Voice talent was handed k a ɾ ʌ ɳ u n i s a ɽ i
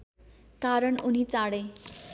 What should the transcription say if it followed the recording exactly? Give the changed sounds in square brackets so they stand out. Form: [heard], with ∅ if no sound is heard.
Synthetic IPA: k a ɾ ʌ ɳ u n i [t͡s] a ɽ [e]